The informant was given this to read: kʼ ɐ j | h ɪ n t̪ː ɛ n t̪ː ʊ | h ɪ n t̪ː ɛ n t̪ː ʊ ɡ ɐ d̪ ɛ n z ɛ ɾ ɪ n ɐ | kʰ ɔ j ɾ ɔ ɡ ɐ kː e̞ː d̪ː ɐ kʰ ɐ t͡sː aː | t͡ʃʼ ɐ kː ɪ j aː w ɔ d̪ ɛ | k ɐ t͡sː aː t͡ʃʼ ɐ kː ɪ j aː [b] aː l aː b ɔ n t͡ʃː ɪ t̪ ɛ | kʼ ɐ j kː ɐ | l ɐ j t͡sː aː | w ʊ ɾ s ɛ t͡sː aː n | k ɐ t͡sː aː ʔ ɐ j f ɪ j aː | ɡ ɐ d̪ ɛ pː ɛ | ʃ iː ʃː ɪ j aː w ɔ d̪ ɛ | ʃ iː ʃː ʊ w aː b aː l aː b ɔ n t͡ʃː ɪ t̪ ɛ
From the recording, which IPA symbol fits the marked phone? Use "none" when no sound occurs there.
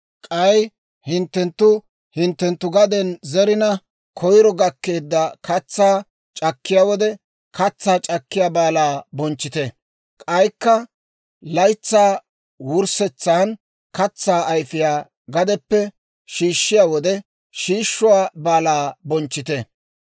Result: b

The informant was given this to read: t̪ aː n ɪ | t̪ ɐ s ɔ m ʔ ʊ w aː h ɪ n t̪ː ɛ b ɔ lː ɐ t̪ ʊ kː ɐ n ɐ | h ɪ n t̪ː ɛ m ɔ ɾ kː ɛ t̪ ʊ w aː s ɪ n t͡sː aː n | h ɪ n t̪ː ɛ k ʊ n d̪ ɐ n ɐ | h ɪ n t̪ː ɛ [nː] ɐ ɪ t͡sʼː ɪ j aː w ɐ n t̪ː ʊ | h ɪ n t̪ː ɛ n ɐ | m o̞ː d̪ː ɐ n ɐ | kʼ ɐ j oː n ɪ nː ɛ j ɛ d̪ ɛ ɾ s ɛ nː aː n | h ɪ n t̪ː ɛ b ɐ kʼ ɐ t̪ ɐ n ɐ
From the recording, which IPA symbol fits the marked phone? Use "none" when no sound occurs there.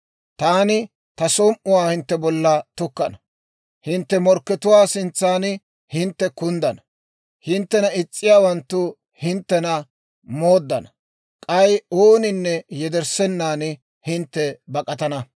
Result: n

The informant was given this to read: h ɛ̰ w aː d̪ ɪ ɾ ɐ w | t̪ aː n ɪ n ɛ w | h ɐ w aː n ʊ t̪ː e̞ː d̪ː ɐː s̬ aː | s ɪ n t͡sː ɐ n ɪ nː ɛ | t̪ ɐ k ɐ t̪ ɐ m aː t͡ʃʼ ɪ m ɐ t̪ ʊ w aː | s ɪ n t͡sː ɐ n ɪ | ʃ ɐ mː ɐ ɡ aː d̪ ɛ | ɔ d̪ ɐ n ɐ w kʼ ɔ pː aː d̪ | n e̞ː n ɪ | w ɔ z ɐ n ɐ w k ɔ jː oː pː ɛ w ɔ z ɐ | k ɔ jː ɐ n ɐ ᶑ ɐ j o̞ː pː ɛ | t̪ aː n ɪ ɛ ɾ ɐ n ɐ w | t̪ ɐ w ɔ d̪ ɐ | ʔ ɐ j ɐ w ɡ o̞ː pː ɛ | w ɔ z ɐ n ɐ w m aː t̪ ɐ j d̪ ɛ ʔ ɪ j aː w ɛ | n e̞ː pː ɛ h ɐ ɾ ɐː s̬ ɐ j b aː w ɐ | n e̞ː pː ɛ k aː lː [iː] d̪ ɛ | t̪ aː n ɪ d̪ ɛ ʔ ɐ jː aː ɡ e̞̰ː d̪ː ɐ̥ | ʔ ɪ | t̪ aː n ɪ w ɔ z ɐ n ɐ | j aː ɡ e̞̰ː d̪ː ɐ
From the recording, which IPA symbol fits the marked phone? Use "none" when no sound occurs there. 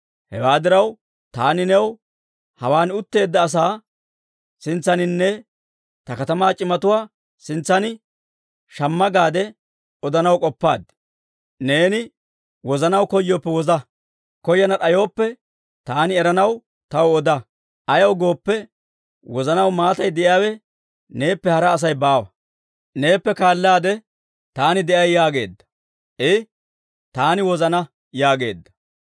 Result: aː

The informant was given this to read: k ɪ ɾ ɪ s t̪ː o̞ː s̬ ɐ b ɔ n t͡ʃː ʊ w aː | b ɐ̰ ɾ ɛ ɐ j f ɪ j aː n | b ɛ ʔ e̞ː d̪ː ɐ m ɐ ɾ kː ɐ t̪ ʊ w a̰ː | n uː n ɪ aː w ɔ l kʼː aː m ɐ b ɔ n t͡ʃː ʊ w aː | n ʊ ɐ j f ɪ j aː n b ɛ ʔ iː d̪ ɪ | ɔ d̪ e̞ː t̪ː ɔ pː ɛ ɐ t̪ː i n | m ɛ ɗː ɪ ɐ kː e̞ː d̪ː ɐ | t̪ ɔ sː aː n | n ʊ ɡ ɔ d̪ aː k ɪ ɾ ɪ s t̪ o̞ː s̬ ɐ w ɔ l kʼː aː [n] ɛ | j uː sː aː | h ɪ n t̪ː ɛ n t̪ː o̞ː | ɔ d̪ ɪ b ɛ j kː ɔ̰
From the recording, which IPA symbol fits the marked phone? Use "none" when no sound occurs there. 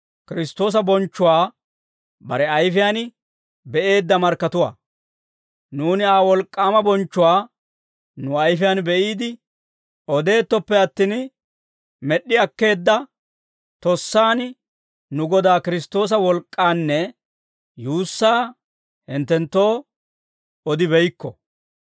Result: nː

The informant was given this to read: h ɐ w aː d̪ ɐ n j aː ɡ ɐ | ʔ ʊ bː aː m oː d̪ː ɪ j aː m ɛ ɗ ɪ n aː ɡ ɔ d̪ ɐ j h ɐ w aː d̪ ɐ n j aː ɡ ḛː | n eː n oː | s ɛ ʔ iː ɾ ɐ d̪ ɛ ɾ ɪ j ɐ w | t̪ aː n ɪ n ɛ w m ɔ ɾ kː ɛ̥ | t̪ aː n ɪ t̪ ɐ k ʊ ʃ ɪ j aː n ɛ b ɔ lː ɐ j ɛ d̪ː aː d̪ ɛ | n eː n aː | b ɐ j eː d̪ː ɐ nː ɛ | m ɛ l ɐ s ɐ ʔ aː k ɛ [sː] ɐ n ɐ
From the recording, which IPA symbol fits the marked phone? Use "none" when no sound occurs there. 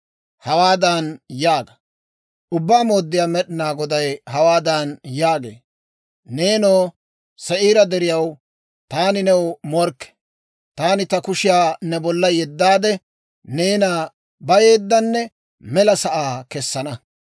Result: sː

